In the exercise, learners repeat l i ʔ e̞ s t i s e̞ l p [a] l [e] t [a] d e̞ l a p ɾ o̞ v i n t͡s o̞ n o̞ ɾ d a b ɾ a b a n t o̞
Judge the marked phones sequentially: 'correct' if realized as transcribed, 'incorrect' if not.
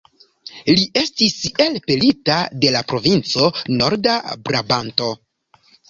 incorrect: e, incorrect: i, correct

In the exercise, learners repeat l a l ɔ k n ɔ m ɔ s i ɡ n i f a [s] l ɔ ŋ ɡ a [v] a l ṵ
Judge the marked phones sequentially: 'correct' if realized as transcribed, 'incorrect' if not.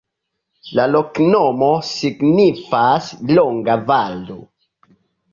correct, correct

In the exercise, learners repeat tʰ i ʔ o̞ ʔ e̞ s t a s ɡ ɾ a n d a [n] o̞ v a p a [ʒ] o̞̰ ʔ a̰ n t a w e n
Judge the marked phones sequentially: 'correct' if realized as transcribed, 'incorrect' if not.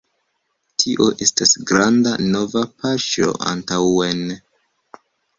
correct, incorrect: ʃ

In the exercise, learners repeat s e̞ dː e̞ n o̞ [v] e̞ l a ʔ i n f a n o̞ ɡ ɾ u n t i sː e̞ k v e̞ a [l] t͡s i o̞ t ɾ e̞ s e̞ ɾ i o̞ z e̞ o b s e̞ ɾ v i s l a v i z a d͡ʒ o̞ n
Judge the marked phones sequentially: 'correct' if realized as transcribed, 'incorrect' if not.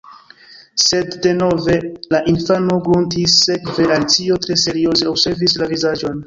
correct, correct

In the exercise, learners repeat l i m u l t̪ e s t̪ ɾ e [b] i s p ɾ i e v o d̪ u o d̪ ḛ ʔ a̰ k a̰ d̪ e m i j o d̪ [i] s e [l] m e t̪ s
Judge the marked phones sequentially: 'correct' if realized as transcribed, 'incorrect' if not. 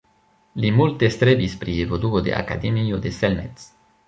correct, incorrect: e, correct

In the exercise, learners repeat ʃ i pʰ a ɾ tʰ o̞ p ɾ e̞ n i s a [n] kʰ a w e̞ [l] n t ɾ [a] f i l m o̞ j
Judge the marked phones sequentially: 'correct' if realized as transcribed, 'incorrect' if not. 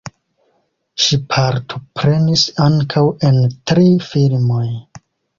incorrect: ŋ, incorrect: none, incorrect: i

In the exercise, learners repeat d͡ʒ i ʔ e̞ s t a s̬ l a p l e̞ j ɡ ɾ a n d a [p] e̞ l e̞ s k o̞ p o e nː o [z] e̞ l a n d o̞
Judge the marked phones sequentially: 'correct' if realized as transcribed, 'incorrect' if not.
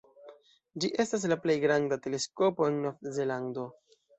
incorrect: t, correct

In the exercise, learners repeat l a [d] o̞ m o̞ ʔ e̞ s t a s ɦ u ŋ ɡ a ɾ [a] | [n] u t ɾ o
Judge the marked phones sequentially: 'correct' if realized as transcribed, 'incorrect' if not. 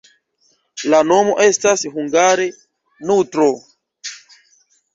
incorrect: n, incorrect: e, correct

